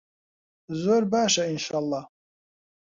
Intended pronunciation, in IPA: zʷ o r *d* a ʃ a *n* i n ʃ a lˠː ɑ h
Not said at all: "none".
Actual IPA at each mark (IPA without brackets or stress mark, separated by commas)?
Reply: b, none